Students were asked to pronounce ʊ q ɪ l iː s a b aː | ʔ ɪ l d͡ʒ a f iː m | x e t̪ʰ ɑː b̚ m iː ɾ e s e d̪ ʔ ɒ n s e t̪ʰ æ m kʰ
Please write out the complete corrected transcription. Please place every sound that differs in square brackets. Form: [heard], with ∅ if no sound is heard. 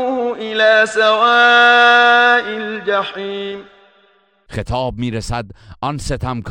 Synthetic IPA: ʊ [ʔ] ɪ l [aː] s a [w] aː | ʔ ɪ l d͡ʒ a [ħ] iː m | x e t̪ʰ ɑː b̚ m iː ɾ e s [æ] d̪ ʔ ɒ n s e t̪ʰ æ m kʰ